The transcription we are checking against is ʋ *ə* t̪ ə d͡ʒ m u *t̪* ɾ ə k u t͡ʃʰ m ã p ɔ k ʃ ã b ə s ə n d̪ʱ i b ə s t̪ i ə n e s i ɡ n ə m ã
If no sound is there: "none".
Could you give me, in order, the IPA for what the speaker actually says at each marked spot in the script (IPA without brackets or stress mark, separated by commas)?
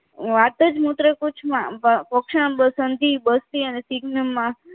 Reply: a, t̪